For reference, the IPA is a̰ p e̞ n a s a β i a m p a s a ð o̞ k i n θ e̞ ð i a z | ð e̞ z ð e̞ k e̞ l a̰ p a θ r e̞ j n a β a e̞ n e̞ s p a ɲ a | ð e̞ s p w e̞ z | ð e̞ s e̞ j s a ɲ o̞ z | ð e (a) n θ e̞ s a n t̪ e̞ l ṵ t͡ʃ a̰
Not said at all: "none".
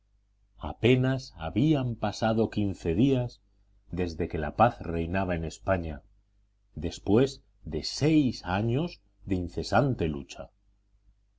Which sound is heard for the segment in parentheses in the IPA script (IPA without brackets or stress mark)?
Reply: i